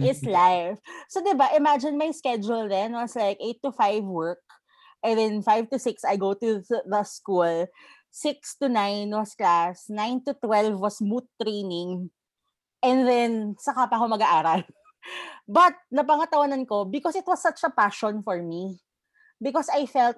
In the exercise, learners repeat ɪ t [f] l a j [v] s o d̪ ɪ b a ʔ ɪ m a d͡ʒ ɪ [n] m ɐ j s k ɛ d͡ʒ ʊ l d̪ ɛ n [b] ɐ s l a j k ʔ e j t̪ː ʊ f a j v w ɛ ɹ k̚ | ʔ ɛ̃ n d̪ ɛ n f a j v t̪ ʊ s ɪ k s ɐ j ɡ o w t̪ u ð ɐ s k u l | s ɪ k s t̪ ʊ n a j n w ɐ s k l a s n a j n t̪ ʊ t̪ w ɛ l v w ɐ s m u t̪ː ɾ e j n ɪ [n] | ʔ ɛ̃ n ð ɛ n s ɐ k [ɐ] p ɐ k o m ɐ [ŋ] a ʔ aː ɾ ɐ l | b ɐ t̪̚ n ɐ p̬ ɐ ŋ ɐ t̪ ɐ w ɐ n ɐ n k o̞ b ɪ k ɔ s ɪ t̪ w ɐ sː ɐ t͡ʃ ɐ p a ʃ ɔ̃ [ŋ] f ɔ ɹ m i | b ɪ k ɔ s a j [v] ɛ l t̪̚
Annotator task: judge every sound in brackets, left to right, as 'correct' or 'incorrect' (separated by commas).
incorrect, incorrect, correct, incorrect, incorrect, incorrect, incorrect, incorrect, incorrect